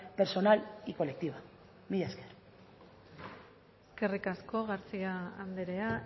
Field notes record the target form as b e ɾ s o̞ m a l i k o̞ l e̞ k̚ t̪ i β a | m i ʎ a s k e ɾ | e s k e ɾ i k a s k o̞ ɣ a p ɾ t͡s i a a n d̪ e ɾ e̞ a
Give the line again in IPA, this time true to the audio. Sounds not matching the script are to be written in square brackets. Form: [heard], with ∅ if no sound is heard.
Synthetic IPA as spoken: [p] e ɾ s o̞ [n] a l i k o̞ l e̞ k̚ t̪ i β a | m i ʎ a s k e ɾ | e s k e [r] i k a s k o̞ ɣ a [∅] ɾ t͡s i a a n d̪ e ɾ e̞ a